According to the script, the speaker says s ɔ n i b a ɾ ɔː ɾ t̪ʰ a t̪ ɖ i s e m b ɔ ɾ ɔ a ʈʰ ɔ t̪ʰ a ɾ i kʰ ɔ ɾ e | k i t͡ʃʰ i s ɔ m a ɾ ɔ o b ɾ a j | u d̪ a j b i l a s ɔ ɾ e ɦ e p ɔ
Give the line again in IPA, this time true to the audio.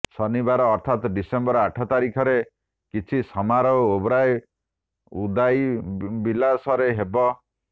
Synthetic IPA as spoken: s ɔ n i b a ɾ ɔː ɾ t̪ʰ a t̪ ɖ i s e m b ɔ ɾ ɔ a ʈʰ ɔ t̪ a ɾ i kʰ ɔ ɾ e | k i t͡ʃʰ i s ɔ m a ɾ ɔ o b ɾ a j | u d̪ a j b i l a s ɔ ɾ e ɦ e b ɔ